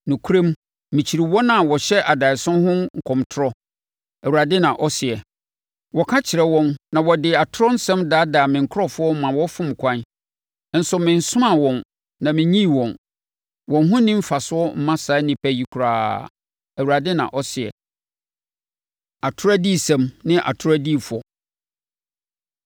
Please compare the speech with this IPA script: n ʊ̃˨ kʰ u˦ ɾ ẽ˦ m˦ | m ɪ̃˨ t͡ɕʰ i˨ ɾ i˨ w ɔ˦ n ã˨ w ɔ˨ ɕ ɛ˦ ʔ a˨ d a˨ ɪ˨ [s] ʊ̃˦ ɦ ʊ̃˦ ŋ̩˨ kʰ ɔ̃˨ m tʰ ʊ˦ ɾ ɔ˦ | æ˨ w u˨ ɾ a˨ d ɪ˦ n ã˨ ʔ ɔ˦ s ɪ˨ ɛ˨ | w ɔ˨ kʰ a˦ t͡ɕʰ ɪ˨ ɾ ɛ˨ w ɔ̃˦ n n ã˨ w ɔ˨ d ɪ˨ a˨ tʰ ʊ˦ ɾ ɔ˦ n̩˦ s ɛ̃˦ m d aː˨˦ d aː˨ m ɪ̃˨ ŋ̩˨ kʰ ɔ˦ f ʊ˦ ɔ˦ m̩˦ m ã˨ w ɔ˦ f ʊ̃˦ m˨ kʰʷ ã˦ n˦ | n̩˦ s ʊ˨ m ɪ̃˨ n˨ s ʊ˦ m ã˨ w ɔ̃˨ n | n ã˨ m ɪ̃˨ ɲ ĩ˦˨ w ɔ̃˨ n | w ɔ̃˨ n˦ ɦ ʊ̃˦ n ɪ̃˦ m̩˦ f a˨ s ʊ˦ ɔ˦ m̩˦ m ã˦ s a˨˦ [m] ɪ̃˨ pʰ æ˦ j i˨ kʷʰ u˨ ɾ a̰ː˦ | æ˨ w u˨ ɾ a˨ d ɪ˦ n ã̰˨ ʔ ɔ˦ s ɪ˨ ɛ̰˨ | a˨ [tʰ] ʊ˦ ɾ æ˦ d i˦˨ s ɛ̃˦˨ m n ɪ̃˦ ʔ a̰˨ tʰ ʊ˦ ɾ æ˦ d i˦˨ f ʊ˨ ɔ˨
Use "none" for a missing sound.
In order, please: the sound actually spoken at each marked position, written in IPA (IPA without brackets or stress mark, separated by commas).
s, n, tʰ